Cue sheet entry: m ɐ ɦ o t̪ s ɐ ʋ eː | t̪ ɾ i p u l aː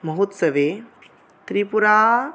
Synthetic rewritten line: m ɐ ɦ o t̪ s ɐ ʋ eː | t̪ ɾ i p u ɾ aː